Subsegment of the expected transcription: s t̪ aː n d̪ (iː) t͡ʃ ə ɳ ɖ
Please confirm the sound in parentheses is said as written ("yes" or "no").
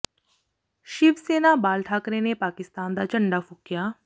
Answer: no